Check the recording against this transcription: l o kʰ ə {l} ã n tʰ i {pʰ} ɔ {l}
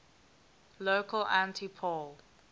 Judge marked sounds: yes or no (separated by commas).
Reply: yes, yes, yes